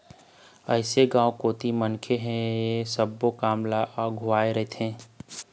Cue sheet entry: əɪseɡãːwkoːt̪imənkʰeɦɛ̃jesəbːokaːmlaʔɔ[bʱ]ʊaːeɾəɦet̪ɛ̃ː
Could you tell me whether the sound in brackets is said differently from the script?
yes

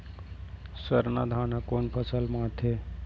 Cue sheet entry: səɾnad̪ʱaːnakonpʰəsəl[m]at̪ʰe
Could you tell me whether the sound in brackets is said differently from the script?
no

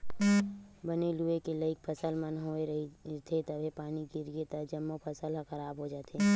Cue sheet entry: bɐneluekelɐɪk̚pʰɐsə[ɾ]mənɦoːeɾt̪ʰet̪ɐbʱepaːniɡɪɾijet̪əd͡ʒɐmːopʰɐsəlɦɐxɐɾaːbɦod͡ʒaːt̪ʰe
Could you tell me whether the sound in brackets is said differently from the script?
yes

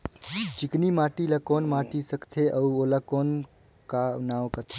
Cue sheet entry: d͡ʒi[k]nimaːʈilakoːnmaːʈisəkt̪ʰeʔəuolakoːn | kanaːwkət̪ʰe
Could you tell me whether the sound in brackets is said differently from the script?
no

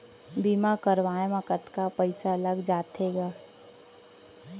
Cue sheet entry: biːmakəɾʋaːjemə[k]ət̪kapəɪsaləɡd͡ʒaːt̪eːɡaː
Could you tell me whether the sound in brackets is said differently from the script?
no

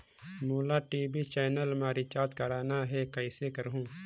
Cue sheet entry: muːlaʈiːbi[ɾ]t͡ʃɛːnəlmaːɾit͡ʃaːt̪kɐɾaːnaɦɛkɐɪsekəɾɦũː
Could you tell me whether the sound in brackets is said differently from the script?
yes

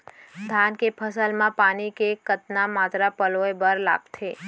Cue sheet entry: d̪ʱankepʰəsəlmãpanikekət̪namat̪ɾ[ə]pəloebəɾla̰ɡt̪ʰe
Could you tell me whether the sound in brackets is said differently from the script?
yes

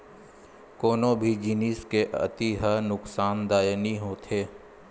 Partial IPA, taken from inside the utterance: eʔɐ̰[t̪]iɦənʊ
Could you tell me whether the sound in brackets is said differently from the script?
no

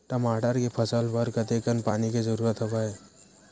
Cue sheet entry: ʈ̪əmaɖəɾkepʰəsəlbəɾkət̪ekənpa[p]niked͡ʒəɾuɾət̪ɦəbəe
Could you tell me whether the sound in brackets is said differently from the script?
yes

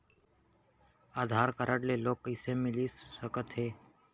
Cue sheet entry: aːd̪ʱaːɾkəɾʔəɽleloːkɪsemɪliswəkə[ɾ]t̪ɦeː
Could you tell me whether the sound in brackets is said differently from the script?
yes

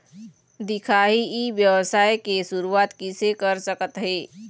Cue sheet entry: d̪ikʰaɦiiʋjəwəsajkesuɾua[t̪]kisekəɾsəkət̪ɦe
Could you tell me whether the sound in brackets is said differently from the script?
no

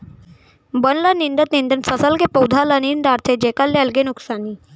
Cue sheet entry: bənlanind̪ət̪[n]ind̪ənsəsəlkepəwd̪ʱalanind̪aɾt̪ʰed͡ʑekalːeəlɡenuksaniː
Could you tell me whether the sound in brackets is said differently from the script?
no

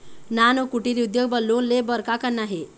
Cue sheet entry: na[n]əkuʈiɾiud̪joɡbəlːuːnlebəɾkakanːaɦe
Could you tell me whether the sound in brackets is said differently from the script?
no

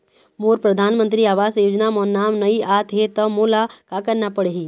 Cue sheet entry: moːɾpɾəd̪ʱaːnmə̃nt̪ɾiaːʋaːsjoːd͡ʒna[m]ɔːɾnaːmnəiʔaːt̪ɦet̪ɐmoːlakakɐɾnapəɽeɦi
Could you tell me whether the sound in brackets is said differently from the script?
no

